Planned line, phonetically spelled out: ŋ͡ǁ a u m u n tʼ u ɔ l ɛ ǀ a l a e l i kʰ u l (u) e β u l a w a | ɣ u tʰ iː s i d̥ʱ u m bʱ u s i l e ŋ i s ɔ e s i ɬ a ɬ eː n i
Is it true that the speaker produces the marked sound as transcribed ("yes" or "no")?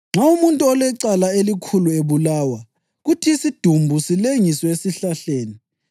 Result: yes